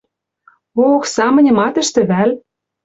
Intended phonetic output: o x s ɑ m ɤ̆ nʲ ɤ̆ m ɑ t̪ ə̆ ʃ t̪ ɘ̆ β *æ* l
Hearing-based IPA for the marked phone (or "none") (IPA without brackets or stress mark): æ